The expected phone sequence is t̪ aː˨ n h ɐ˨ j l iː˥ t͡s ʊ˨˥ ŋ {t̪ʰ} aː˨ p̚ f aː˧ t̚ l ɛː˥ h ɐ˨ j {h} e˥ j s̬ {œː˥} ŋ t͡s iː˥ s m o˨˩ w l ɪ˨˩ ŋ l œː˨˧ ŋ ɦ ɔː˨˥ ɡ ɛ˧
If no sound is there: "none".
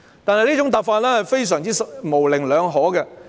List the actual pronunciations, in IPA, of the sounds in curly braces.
t̪, f, œː˨˩

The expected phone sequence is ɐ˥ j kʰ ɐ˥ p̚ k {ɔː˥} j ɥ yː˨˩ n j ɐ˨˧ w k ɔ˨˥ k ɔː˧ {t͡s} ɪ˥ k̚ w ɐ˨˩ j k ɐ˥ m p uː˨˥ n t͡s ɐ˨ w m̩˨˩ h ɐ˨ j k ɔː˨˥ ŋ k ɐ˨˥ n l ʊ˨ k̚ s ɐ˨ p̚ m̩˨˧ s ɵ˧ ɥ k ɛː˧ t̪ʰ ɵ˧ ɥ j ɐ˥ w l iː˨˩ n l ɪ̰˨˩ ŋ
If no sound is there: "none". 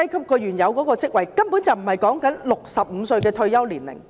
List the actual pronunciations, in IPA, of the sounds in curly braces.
ɔː˧, t͡s

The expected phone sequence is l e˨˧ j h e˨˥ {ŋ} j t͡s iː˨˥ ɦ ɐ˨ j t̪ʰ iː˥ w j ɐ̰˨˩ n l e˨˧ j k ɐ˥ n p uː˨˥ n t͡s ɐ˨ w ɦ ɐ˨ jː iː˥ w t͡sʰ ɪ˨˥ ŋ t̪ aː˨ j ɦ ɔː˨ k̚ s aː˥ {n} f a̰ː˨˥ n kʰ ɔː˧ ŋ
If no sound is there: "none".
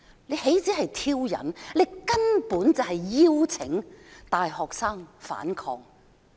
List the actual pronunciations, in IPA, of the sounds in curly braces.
none, ŋ

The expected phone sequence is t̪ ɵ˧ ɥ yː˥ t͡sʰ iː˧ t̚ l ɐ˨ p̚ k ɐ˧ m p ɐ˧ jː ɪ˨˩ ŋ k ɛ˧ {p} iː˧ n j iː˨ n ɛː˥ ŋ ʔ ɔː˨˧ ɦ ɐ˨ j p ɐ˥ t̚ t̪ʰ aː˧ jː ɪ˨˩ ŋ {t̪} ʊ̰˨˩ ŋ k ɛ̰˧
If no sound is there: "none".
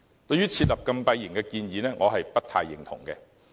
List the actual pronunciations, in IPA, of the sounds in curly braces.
k, t̪ʰ

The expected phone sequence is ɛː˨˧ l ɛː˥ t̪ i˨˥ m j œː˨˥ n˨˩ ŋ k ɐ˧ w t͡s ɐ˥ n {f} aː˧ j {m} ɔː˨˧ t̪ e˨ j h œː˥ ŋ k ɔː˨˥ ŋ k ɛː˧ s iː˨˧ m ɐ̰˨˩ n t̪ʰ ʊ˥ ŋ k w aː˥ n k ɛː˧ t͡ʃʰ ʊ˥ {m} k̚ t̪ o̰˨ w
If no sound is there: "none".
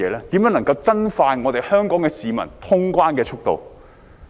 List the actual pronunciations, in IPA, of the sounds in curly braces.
f, ŋ, none

